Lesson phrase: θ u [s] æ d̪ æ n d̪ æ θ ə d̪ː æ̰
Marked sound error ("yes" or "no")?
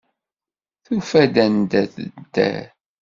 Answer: yes